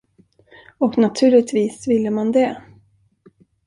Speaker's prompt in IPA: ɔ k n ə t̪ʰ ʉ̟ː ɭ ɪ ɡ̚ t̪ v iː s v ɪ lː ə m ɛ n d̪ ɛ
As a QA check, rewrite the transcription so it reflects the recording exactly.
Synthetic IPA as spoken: ɔ k n a t̪ʰ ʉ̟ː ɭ ɪ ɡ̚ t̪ v iː s v ɪ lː ə m a n d̪ ɛ